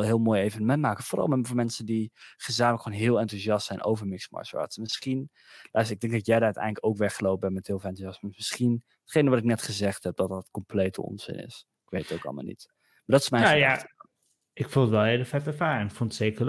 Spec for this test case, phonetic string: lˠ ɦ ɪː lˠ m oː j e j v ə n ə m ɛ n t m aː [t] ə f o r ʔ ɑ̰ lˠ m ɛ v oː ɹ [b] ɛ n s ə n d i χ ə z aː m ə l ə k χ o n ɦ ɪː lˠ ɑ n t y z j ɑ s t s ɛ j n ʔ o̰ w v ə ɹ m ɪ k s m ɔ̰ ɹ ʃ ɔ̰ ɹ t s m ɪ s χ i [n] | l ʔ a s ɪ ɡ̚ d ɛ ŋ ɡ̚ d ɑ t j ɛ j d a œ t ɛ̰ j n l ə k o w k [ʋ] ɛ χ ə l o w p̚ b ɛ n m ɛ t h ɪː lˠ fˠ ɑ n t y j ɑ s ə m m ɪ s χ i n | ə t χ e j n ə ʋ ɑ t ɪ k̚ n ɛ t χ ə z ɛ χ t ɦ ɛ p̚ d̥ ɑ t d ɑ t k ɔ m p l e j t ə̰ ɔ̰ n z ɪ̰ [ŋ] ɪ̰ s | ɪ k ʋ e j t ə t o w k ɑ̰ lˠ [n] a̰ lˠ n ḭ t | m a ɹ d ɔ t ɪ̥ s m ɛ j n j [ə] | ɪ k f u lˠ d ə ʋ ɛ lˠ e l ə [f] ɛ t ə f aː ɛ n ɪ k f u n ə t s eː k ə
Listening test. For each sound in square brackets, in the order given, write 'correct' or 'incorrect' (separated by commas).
incorrect, incorrect, correct, correct, incorrect, incorrect, incorrect, correct